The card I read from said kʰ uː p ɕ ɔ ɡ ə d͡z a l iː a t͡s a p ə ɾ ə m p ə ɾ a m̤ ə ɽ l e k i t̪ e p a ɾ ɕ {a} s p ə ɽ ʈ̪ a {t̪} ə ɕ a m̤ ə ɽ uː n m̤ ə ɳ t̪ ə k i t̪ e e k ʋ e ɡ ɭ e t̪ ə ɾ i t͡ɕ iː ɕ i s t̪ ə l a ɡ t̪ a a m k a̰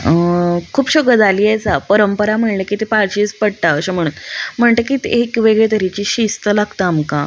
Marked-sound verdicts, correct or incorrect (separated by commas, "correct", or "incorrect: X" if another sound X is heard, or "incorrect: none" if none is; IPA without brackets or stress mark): incorrect: i, incorrect: none